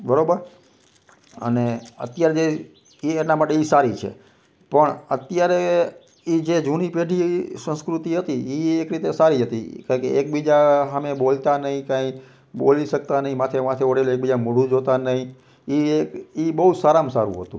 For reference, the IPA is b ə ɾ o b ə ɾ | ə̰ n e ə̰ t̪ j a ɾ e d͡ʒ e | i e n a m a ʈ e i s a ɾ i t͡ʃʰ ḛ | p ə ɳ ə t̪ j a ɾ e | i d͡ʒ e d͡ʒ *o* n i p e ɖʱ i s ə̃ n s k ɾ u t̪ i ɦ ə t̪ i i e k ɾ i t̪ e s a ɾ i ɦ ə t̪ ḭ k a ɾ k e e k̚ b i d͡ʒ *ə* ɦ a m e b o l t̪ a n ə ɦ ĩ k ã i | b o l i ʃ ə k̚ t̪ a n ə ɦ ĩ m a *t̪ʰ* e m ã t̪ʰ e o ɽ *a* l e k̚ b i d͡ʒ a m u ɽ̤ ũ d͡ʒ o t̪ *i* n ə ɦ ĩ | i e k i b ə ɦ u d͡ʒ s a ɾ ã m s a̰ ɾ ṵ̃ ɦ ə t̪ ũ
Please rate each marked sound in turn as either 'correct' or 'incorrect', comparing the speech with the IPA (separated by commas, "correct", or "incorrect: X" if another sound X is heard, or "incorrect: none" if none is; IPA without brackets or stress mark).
incorrect: u, incorrect: a, correct, incorrect: e, incorrect: a